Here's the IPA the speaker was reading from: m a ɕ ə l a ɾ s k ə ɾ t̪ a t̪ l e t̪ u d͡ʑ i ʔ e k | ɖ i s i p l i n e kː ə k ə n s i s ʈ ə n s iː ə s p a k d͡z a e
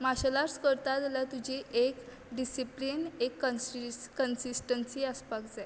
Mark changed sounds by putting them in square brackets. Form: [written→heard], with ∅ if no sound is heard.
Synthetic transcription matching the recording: m a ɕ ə l a ɾ s k ə ɾ t̪ a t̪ l [e→a] t̪ u d͡ʑ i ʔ e k | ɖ i s i p l i n e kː ə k ə n s i s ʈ ə n s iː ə s p a k d͡z a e

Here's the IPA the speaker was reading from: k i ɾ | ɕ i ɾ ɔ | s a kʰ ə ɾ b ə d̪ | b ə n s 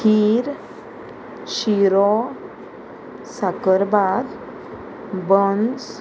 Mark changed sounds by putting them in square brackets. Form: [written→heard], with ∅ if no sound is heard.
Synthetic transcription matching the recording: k i ɾ | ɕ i ɾ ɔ | s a [kʰ→k] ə ɾ b [ə→a] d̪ | b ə n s

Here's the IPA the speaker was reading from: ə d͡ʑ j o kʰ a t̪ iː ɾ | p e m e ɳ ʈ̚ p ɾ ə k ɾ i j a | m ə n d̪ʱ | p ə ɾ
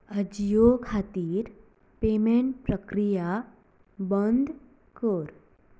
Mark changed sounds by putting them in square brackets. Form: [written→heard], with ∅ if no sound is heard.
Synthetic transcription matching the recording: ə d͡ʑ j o kʰ a t̪ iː ɾ | p e m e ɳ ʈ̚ p ɾ ə k ɾ i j a | [m→b] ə n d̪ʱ | [p→k] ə ɾ

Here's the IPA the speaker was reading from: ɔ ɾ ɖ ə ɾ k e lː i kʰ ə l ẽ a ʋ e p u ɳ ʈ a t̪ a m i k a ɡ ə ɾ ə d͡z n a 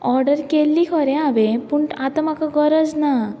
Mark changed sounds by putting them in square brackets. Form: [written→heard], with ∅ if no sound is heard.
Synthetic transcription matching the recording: ɔ ɾ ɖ ə ɾ k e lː i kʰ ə [l→ɾ] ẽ a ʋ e p u ɳ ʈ a t̪ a m [i→a] k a ɡ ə ɾ ə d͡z n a

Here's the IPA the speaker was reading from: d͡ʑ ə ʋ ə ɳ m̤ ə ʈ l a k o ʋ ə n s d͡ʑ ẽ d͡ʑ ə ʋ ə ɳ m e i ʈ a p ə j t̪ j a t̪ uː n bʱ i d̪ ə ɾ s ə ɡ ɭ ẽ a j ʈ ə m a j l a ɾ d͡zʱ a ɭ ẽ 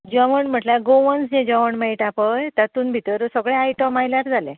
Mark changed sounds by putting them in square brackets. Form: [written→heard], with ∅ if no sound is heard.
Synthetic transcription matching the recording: d͡ʑ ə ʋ ə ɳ m̤ ə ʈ l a [k→ɡ] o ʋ ə n s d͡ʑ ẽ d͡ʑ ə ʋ ə ɳ m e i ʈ a p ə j t̪ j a t̪ uː n bʱ i [d̪→t̪] ə ɾ s ə ɡ ɭ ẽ a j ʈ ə m a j l a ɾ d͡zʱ a [ɭ→l] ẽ

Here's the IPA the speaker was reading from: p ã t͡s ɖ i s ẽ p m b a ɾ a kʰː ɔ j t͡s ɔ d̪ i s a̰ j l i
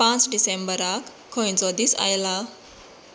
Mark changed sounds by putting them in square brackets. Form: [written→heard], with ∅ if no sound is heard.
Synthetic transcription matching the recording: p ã t͡s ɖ i s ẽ [p→∅] m b [a→ə] ɾ a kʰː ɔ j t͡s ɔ d̪ i s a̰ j l [i→a]

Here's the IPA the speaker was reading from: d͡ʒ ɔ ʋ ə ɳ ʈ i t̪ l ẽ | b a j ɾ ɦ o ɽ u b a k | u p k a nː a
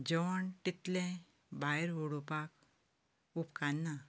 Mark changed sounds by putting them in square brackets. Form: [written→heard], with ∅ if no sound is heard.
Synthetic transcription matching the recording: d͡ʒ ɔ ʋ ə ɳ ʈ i t̪ l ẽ | b a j ɾ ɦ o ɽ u [b→p] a k | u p k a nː a

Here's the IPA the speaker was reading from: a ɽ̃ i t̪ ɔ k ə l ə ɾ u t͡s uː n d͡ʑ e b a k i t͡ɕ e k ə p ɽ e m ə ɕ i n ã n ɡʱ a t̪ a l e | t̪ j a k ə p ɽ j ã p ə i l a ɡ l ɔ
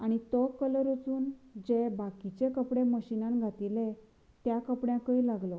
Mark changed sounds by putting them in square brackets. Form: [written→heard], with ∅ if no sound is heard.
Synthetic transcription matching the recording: a ɽ̃ i t̪ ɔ k ə l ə ɾ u t͡s uː n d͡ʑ e b a k i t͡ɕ e k ə p ɽ e m ə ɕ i n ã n ɡʱ a t̪ [a→i] l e | t̪ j a k ə p ɽ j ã [p→k] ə i l a ɡ l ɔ

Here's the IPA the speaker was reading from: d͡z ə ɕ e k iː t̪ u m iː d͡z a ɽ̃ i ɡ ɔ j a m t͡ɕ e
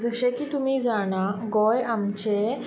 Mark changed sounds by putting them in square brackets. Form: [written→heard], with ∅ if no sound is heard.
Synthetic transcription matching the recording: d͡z ə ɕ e k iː t̪ u m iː d͡z a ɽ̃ [i→a] ɡ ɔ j a m t͡ɕ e

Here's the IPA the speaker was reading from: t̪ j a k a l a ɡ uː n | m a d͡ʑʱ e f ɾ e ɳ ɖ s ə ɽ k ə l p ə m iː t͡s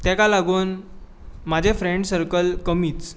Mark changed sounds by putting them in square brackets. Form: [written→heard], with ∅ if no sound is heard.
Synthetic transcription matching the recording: t̪ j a k a l a ɡ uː n | m a d͡ʑʱ e f ɾ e ɳ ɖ s ə [ɽ→ɾ] k ə l [p→k] ə m iː t͡s

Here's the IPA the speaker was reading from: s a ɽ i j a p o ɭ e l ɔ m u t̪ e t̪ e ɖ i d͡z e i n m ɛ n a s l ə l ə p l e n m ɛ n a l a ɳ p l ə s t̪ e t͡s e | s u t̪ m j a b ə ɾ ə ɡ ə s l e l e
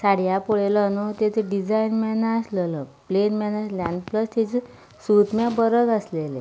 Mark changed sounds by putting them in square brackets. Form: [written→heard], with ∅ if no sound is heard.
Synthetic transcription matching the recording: s a ɽ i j a p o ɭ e l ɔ [m→n] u t̪ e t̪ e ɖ i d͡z [e→a] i n m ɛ n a s l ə l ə p l e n m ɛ n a l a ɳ p l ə s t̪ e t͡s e | s u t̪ m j a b ə ɾ ə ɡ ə s l e l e

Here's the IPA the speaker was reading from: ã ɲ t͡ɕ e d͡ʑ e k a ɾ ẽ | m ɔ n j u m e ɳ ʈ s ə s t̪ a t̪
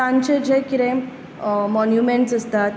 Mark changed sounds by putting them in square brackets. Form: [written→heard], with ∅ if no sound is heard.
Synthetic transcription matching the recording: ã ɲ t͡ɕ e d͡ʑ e k [a→i] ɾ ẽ | m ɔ n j u m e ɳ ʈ s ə s t̪ a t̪

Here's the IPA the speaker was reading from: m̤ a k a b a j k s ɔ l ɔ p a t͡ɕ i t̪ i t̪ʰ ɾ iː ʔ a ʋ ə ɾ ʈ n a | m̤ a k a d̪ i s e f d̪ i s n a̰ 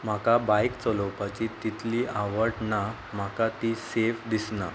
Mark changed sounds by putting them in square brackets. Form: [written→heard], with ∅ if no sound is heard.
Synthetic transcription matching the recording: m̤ a k a b a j k [s→t͡s] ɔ l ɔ p a t͡ɕ i t̪ i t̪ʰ [ɾ→l] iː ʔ a ʋ ə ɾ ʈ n a | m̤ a k a [d̪→t̪] i s e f d̪ i s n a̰

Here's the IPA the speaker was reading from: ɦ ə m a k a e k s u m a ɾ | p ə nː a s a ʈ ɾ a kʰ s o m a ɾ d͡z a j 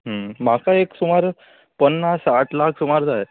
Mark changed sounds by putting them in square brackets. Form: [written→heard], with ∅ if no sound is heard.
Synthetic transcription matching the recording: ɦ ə m a k a e k s u m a ɾ | p ə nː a s a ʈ [ɾ→l] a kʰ s [o→u] m a ɾ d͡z a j

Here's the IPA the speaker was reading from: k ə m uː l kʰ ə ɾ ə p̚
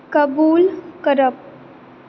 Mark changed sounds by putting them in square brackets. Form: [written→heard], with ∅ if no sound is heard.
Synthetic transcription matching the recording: k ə [m→b] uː l [kʰ→k] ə ɾ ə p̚

